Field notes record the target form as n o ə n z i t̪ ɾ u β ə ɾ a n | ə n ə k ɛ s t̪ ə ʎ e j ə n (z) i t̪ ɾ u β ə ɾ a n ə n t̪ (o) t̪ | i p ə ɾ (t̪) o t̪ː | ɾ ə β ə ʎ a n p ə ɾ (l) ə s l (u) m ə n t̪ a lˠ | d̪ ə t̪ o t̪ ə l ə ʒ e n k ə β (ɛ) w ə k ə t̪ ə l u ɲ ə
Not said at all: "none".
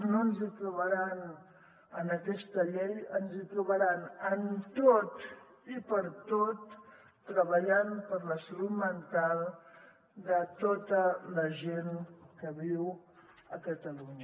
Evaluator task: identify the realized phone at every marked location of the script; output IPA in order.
z, o, t̪, l, u, i

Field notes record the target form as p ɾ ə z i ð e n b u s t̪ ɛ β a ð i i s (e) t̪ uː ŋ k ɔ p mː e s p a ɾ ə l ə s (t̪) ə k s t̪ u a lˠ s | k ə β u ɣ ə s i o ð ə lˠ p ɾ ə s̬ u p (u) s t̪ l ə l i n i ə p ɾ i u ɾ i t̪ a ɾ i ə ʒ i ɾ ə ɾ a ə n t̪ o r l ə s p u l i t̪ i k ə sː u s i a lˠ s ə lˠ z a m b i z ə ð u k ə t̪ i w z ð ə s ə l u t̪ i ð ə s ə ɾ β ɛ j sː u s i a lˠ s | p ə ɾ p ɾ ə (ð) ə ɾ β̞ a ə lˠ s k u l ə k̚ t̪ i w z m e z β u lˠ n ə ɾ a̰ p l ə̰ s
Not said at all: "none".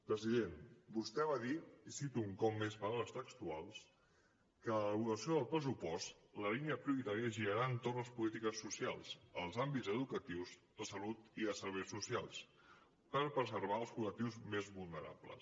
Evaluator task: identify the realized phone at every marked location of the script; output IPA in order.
i, t̪, ɔ, z

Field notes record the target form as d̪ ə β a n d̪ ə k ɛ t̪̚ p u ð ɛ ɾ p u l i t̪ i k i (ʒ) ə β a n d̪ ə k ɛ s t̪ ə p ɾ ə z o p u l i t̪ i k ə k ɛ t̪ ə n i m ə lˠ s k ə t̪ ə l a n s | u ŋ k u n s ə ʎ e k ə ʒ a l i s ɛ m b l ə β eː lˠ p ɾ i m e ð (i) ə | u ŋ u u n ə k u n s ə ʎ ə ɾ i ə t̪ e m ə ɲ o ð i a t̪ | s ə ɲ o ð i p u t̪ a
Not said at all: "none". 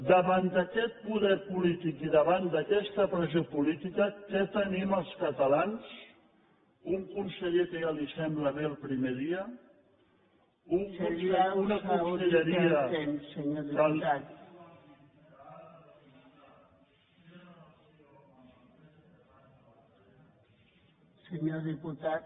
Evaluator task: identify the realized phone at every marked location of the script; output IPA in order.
ð, i

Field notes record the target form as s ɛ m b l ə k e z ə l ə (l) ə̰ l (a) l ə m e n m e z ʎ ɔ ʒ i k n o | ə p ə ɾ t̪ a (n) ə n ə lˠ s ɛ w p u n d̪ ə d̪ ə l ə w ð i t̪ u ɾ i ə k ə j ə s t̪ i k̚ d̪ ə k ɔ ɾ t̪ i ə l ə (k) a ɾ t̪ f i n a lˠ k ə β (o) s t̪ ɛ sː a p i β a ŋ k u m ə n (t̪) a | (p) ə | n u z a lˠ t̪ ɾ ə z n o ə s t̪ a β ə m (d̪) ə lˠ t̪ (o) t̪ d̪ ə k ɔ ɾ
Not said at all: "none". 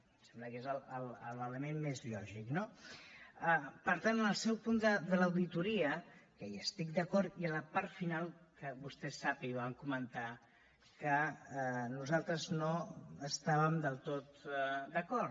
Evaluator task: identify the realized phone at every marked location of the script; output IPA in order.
l, ə, n, p, u, t̪, k, d̪, o

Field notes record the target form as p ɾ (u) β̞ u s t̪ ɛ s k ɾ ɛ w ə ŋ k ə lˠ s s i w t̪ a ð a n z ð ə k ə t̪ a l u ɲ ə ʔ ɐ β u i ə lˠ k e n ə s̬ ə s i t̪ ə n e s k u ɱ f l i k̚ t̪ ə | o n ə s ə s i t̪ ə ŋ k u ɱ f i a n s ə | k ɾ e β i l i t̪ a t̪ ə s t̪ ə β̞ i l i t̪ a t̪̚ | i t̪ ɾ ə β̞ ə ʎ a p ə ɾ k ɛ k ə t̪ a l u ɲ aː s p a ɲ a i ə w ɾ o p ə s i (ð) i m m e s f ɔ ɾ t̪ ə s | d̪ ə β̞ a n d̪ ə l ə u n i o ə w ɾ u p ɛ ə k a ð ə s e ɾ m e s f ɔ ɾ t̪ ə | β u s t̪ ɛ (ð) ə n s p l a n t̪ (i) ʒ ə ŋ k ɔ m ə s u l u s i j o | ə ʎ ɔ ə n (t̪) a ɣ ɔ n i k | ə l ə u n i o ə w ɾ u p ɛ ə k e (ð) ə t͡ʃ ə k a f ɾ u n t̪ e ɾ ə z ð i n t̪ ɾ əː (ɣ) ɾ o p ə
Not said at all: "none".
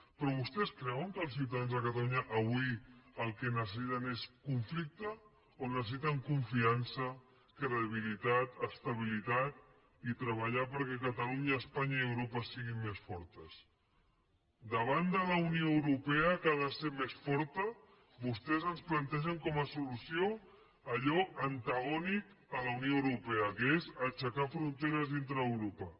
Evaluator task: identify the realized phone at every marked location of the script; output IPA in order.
ɔ, ɣ, z, ɛ, t̪, z, w

